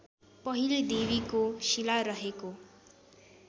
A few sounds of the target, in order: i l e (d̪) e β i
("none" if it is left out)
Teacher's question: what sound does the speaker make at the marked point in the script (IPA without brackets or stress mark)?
d̪